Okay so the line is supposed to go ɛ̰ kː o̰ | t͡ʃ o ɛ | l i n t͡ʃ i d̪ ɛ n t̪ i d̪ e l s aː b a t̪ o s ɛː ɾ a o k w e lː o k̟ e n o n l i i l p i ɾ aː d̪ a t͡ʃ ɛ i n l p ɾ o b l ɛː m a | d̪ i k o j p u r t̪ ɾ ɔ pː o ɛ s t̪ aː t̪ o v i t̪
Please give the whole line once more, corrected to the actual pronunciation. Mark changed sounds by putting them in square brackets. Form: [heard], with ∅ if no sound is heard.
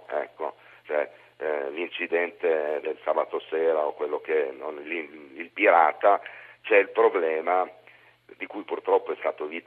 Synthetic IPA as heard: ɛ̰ kː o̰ | t͡ʃ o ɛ | l i n t͡ʃ i d̪ ɛ n t̪ [e] d̪ e l s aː b a t̪ o s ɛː ɾ a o k w e lː o k̟ e n o n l i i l p i ɾ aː [t̪] a t͡ʃ ɛ i [∅] l p ɾ o b l ɛː m a | d̪ i k [u] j p u r t̪ ɾ ɔ pː o ɛ s t̪ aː t̪ o v i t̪